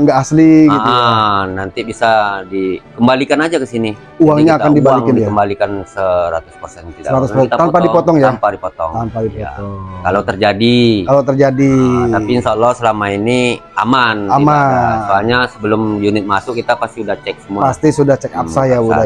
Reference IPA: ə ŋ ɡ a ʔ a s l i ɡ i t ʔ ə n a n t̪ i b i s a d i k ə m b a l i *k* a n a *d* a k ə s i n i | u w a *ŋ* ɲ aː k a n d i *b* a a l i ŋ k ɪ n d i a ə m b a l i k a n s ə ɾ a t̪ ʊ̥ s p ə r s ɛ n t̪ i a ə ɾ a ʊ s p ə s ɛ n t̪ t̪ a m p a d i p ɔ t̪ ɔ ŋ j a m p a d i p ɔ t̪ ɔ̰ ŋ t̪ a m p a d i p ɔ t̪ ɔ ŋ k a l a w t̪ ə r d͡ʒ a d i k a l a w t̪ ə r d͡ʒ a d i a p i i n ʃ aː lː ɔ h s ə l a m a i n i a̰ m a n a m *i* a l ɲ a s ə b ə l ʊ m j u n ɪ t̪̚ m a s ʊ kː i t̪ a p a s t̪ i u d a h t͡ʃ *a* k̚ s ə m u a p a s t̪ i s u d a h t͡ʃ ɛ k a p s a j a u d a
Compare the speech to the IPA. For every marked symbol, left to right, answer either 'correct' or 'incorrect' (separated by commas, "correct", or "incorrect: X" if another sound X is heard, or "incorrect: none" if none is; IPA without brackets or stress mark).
correct, incorrect: d͡ʒ, correct, correct, incorrect: a, incorrect: ɛ